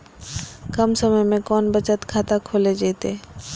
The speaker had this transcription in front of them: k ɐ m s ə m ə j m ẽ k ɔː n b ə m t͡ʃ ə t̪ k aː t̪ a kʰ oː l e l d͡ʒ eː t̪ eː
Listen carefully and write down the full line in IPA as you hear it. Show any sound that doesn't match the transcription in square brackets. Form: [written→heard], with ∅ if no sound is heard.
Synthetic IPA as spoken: k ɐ m s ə m ə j m ẽ k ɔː n b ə [m→∅] t͡ʃ ə t̪ [k→kʰ] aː t̪ a kʰ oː l e [l→∅] d͡ʒ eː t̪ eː

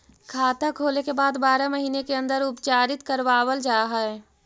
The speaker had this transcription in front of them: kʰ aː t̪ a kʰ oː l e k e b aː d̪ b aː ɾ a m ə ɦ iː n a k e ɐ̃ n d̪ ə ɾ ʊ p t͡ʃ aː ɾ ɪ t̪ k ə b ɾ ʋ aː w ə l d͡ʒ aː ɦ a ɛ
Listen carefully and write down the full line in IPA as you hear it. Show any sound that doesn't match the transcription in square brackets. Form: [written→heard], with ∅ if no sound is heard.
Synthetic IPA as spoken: kʰ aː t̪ a kʰ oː l e k e b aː d̪ b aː ɾ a m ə ɦ iː n [a→e] k e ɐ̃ n d̪ ə ɾ ʊ p t͡ʃ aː ɾ ɪ t̪ k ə [b→∅] ɾ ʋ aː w ə l d͡ʒ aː ɦ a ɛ

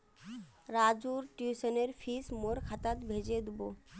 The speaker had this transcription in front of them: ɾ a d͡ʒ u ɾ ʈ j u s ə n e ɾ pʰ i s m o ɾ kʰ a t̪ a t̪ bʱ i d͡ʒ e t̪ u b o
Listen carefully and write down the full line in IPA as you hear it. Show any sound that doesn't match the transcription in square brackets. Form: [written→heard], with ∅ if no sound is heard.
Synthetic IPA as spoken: ɾ a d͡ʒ u ɾ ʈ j u s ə n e ɾ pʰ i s m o ɾ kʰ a t̪ a t̪ bʱ [i→e] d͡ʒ e [t̪→d̪] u b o

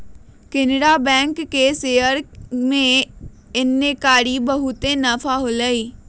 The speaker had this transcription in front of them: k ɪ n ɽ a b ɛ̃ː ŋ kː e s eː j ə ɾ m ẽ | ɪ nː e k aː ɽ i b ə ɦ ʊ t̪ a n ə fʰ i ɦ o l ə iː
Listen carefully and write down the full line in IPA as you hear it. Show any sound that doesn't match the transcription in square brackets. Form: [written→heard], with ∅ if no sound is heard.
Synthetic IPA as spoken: k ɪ n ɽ a b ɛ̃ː ŋ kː e s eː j ə ɾ m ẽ | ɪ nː e k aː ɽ i b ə ɦ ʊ t̪ [a→e] n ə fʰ [i→a] ɦ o l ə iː

